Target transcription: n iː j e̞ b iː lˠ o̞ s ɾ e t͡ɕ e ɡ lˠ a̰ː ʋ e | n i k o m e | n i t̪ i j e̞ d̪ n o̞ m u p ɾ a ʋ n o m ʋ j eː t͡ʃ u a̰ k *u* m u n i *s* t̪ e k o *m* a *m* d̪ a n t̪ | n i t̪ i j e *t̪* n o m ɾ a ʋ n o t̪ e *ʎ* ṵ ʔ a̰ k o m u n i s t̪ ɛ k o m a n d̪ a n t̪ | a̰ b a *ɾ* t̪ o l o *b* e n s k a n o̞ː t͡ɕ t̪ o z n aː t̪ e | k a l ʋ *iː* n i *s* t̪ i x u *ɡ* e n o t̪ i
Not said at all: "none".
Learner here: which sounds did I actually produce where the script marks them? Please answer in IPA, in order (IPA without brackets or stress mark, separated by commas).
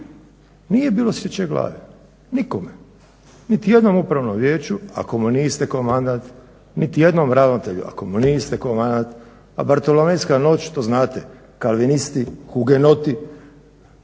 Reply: o, s, m, n, d̪, ʎ, ɾ, m, i, s, ɡ